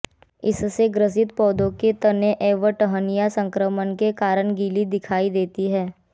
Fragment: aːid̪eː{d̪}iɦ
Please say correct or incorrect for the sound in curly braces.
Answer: incorrect